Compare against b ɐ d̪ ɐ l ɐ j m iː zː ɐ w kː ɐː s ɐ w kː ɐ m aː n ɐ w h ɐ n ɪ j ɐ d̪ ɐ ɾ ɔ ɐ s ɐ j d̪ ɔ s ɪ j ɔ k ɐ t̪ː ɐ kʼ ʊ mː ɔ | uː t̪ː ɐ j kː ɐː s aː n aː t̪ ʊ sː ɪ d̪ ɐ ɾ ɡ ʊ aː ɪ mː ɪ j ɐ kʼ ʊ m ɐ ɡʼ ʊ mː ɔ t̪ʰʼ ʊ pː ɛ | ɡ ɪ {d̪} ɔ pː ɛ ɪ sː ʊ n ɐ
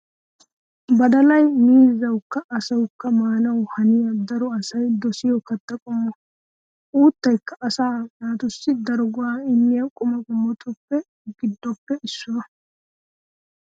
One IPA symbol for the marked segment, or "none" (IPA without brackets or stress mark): d̪ː